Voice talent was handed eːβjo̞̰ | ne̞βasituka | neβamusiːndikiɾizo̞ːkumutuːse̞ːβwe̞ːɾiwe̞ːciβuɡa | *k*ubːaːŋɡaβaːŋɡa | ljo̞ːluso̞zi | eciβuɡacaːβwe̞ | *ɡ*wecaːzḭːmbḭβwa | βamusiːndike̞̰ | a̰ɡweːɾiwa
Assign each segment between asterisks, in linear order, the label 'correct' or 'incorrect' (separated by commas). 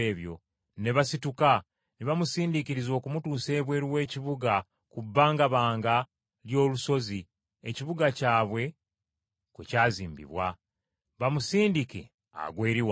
correct, incorrect